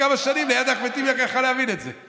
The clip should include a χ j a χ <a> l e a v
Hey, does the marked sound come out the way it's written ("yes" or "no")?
yes